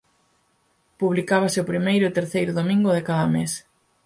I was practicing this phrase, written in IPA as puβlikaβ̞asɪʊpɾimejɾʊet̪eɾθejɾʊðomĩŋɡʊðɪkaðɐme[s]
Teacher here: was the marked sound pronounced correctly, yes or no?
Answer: yes